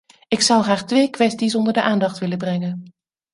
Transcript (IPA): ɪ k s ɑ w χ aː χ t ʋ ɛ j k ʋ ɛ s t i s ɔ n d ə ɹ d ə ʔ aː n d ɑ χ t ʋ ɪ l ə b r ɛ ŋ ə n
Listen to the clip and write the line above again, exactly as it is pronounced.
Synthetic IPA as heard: ɪ k s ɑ w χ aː χ t ʋ e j k ʋ ɛ s t i s ɔ n d ə ɹ d ə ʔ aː n d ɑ χ t ʋ ɪ l ə b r ɛ ŋ ə n